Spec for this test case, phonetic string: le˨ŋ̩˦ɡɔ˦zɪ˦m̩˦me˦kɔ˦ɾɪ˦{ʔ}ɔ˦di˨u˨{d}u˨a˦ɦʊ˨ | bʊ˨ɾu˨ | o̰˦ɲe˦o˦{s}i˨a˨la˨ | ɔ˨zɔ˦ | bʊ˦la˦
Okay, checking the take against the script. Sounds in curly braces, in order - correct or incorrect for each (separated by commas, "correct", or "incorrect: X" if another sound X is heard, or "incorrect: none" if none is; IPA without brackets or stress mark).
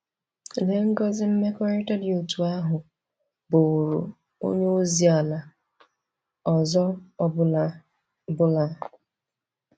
incorrect: t, incorrect: t, incorrect: z